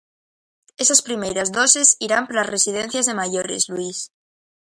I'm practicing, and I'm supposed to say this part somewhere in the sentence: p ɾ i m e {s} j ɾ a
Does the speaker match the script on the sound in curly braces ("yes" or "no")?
no